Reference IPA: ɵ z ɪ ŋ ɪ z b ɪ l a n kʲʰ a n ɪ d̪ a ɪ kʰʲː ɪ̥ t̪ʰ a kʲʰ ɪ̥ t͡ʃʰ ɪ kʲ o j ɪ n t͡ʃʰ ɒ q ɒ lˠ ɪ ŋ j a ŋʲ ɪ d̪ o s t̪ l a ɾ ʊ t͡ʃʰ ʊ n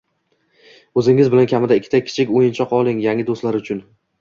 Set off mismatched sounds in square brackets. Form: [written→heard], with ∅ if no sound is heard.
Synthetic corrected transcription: ɵ z ɪ ŋ ɪ z b ɪ l a n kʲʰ a [n→m] ɪ d̪ a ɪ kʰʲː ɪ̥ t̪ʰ a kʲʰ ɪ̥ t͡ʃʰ ɪ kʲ o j ɪ n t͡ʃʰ ɒ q ɒ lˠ ɪ ŋ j a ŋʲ ɪ d̪ o s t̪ l a ɾ ʊ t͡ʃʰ ʊ n